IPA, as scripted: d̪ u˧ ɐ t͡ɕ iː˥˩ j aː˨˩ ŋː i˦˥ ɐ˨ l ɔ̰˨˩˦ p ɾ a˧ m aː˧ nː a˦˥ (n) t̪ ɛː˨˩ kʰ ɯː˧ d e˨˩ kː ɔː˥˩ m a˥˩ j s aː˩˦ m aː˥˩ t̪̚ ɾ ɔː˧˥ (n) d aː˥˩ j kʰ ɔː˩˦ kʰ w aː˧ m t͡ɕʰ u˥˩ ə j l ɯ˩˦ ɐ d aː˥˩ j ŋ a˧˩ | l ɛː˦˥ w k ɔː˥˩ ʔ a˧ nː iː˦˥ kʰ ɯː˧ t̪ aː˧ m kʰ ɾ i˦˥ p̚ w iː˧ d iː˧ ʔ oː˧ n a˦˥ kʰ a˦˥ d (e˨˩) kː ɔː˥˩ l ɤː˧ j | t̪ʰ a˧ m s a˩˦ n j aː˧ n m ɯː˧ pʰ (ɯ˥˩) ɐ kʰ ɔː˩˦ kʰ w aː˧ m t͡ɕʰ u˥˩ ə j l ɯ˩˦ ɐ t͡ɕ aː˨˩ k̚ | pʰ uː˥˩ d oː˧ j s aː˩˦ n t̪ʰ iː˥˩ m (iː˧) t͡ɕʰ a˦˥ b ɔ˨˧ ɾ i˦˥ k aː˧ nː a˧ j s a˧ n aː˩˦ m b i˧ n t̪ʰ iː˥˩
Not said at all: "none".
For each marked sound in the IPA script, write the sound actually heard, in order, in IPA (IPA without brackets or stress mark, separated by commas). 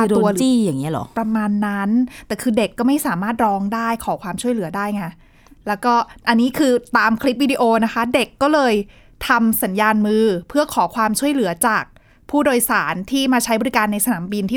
n, ŋ, e˨˩, ɯ˥˩, aː˧